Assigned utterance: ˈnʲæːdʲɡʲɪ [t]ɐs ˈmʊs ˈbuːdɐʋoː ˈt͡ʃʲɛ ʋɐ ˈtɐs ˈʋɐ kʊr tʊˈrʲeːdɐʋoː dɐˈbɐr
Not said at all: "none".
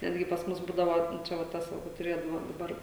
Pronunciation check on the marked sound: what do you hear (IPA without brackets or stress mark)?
p